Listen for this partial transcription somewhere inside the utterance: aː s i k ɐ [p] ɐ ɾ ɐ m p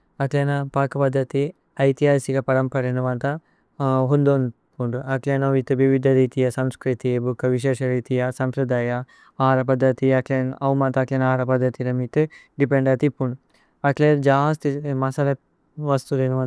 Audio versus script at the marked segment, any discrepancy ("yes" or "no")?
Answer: no